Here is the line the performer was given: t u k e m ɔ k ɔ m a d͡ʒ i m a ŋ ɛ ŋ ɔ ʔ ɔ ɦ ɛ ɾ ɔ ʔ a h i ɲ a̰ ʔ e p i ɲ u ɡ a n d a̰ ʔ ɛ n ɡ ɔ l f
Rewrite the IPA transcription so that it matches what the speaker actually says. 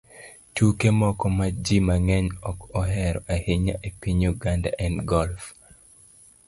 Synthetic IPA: t u k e m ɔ k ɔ m a d͡ʒ i m a ŋ ɛ ɲ ɔ k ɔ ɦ ɛ ɾ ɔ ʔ a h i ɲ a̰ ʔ e p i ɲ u ɡ a n d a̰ ʔ ɛ n ɡ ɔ l f